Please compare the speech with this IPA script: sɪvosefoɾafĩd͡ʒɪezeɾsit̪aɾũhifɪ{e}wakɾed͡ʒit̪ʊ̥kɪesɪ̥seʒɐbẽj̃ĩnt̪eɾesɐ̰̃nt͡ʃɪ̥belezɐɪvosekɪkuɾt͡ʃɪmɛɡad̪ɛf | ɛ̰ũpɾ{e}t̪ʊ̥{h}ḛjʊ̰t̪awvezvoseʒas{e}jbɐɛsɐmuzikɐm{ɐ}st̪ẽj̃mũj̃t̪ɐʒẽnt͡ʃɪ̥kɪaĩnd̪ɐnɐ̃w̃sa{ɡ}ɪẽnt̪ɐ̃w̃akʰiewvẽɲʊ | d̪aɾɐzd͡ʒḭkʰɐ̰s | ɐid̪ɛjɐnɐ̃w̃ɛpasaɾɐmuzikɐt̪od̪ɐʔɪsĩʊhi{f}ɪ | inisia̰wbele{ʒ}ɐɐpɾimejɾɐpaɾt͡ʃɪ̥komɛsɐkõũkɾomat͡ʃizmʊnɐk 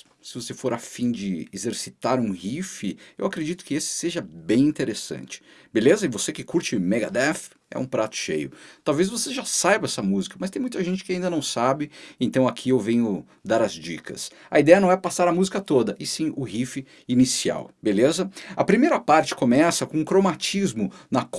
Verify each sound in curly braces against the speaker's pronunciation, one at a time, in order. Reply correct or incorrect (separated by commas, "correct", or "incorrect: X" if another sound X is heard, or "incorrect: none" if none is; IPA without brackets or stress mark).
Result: correct, incorrect: a, incorrect: ʃ, incorrect: a, correct, incorrect: b, correct, incorrect: z